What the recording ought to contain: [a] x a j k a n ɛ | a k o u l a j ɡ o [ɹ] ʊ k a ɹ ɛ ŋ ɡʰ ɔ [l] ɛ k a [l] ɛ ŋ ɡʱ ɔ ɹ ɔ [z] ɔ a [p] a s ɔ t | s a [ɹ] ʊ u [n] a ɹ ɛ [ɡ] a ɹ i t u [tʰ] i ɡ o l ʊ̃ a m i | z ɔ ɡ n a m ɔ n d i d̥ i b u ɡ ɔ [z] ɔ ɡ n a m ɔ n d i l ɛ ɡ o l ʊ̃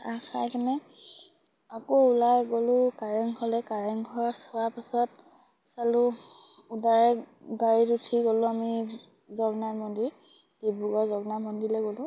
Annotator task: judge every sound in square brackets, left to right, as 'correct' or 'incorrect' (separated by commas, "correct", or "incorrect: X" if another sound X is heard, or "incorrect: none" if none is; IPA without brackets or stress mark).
correct, incorrect: l, correct, incorrect: ɹ, incorrect: s, correct, incorrect: l, incorrect: d, correct, correct, correct